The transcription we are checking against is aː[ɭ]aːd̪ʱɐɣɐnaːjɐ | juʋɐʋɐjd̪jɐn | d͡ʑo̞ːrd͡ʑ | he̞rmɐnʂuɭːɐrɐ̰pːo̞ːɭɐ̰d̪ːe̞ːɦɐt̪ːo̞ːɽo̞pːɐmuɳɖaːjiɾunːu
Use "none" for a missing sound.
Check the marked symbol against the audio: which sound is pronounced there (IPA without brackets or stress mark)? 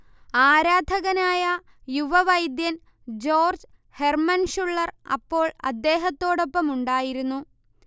ɾ